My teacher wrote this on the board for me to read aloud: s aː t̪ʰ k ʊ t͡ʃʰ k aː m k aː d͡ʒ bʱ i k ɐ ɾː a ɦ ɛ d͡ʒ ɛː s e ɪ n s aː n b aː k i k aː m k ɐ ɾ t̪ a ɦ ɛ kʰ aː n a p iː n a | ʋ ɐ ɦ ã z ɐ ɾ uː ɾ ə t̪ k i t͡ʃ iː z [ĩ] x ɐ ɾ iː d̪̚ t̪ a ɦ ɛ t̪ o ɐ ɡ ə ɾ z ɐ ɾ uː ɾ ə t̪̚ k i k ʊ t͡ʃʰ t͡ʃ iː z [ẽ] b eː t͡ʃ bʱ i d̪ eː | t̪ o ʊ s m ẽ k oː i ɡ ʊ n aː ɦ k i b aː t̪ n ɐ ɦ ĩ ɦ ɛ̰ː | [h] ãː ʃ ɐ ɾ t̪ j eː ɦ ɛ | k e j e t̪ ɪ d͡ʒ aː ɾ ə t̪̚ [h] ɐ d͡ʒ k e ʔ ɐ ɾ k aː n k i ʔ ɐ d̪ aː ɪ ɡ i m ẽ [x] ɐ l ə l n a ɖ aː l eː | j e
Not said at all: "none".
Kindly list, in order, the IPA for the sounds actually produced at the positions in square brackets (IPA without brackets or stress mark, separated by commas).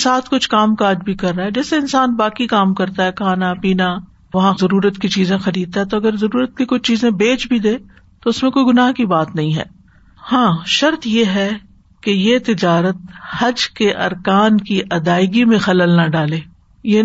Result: ẽ, ẽ, h, h, x